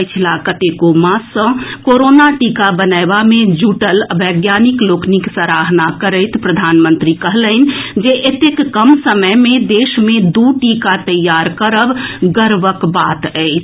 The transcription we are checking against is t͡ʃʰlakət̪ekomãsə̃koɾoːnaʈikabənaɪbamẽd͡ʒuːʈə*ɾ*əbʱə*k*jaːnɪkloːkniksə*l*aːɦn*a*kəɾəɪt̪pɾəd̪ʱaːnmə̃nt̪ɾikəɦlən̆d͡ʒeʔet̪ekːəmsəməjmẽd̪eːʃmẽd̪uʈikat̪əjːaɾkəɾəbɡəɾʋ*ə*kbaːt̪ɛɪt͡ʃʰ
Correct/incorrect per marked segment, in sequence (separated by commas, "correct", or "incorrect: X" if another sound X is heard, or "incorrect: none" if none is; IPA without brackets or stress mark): incorrect: l, incorrect: ɡ, incorrect: ɾ, correct, correct